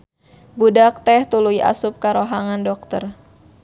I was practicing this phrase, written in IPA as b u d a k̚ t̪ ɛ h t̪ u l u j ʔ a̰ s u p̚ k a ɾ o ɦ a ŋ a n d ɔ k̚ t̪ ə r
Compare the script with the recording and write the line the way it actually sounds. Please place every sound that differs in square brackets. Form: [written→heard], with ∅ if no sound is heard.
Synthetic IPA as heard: b u d a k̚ t̪ ɛ h t̪ u l u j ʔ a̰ s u p̚ k a ɾ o ɦ a ŋ a n d ɔ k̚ t̪ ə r